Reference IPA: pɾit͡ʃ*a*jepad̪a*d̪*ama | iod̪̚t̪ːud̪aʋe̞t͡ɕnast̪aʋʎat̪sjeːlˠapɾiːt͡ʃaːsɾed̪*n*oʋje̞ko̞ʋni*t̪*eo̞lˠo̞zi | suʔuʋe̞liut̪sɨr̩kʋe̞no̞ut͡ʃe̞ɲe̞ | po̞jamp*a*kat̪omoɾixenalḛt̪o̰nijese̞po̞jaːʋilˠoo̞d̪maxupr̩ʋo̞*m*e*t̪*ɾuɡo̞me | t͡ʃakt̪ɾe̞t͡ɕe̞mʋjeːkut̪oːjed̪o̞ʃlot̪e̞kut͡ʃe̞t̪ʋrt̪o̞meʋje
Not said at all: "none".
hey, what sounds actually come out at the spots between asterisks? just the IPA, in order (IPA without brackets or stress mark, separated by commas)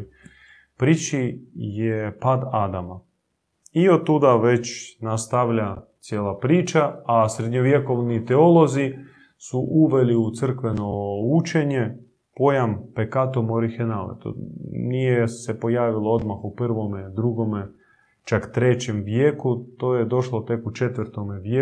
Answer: i, d̪, ɲ, t̪, e, m, d̪